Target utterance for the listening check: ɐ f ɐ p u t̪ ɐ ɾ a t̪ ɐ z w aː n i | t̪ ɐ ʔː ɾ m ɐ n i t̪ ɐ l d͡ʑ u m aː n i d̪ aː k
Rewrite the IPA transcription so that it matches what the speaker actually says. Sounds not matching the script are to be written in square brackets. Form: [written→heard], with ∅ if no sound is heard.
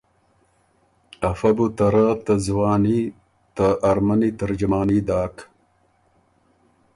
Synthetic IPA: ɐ f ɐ [p→b] u t̪ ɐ ɾ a t̪ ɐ z w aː n i | t̪ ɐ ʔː ɾ m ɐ n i t̪ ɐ [l→ɾ] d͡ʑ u m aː n i d̪ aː k